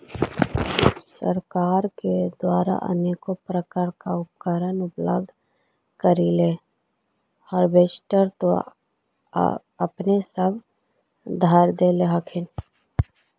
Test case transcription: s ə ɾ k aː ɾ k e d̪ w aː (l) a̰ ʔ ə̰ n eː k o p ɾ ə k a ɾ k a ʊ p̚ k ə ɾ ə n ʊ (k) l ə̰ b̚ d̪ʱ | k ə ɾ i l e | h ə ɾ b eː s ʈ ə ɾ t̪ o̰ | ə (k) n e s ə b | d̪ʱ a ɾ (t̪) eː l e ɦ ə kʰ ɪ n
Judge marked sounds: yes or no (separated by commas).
no, no, no, no